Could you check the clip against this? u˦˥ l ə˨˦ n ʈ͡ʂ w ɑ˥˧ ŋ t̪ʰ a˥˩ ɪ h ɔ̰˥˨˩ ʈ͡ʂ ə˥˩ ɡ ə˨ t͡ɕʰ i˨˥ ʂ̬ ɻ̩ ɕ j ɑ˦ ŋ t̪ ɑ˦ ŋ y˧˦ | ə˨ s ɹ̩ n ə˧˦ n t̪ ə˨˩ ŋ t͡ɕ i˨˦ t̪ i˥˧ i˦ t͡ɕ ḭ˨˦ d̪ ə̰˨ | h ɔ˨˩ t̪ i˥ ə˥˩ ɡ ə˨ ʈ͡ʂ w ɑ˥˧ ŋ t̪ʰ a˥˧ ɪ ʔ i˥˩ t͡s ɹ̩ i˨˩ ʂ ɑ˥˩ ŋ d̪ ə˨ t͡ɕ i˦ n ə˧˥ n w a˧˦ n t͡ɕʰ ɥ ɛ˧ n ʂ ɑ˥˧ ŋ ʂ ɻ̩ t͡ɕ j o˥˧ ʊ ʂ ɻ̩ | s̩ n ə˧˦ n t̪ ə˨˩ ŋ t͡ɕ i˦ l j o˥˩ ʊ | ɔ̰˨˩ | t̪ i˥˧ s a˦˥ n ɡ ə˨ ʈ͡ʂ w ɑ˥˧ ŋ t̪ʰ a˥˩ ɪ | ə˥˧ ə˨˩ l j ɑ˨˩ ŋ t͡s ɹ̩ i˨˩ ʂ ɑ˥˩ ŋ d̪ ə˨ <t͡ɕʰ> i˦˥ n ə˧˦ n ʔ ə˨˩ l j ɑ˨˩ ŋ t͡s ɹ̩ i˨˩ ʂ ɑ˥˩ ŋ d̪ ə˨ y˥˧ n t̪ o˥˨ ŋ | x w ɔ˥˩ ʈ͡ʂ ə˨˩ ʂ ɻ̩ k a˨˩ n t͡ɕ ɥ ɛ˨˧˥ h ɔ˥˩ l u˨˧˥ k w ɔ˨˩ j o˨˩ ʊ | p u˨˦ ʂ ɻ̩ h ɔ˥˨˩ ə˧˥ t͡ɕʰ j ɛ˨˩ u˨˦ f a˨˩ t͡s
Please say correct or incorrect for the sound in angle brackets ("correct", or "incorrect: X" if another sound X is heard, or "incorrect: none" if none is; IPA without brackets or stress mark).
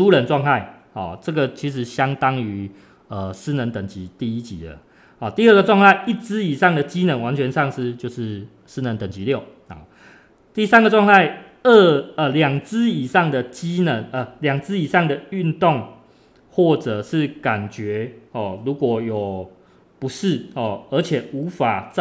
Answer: incorrect: t͡ɕ